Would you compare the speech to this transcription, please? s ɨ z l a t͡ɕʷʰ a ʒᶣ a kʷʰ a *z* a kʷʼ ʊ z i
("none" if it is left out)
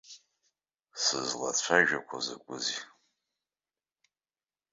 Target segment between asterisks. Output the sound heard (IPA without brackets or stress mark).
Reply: z